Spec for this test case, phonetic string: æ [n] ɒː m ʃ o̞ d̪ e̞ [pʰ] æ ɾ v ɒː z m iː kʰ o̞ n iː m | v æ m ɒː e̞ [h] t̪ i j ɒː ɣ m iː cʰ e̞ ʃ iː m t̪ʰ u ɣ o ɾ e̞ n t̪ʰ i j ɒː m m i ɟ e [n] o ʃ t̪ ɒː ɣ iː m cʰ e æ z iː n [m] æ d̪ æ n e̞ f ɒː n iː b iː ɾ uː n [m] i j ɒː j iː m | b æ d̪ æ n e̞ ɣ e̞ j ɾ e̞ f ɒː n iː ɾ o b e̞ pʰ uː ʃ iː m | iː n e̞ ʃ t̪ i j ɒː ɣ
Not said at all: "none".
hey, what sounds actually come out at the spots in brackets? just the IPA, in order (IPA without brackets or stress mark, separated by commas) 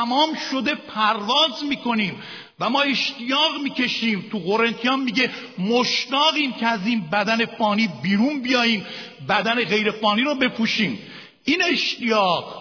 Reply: m, pʰ, ʃ, m, b, b